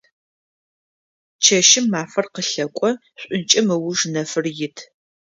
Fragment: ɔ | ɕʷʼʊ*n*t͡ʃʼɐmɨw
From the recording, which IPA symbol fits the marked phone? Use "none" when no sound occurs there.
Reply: n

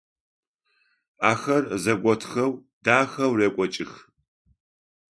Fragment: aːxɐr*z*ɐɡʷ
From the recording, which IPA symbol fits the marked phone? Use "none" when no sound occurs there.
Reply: z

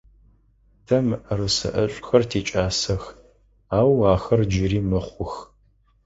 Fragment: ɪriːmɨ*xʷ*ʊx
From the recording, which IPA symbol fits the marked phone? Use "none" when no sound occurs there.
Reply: χʷ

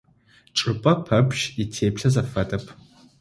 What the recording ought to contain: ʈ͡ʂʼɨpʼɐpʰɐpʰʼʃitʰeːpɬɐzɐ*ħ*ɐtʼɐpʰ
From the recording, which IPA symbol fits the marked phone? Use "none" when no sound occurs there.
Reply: f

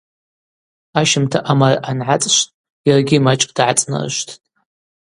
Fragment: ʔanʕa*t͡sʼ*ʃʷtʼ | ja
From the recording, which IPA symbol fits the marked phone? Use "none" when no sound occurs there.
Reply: t͡sʼ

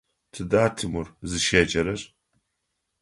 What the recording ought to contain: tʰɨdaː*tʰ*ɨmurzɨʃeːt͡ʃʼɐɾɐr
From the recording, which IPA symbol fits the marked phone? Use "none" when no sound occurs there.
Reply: tʰ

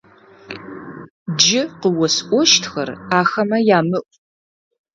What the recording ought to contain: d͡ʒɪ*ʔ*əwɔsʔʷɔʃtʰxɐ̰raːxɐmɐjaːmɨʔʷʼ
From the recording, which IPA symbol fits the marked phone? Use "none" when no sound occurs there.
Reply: q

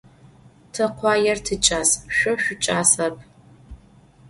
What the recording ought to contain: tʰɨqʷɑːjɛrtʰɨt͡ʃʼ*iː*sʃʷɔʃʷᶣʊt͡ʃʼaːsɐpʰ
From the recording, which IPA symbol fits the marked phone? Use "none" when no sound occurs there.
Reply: aː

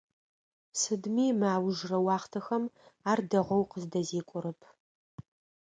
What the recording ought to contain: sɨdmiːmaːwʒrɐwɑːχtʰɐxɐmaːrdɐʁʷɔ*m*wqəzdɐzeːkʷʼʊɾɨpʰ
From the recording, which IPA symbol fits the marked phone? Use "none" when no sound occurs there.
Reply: none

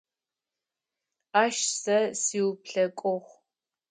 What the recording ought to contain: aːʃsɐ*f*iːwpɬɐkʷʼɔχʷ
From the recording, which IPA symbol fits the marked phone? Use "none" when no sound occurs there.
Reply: s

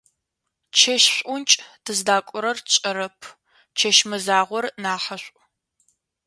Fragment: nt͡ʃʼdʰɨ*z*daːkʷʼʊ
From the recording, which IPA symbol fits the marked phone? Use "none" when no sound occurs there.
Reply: z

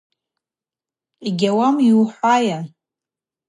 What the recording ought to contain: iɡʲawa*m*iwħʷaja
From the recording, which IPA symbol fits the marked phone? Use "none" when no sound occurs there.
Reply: m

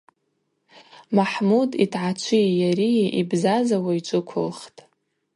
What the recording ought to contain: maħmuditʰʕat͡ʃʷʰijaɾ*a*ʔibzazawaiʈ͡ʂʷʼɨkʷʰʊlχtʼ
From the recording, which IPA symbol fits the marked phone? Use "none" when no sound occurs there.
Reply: i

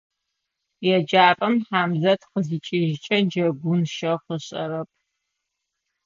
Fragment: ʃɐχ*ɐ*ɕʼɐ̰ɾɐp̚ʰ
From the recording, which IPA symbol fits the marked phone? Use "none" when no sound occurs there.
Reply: ə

